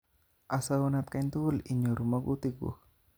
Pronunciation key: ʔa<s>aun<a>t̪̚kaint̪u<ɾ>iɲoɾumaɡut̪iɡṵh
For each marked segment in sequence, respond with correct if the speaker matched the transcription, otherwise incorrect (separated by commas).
correct, correct, incorrect